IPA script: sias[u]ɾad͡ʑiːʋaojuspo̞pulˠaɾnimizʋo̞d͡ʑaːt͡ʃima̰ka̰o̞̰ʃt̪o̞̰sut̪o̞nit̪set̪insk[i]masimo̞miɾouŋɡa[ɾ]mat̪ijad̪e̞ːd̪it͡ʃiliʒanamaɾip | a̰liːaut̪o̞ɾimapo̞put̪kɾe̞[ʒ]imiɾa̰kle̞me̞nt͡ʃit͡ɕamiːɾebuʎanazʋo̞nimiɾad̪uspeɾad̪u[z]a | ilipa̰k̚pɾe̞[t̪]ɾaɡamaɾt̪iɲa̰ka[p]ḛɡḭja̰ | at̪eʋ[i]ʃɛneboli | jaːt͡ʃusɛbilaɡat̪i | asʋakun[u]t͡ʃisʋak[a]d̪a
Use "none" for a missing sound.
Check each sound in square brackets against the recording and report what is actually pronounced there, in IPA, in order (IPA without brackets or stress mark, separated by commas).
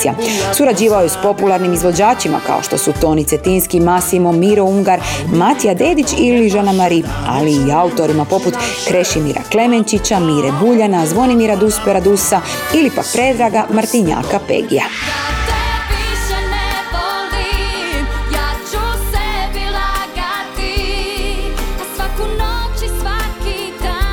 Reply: u, i, ɾ, ʃ, s, d̪, p, i, o, i